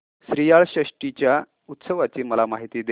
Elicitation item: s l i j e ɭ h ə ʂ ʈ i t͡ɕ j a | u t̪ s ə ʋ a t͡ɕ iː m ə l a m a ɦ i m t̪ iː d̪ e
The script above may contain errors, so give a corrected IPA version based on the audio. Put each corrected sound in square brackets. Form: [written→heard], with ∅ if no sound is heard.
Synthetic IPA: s [l→ɾ] i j [e→a] ɭ [h→ɕ] ə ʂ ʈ i t͡ɕ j a | u t̪ s ə ʋ a t͡ɕ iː m ə l a m a ɦ i [m→∅] t̪ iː d̪ e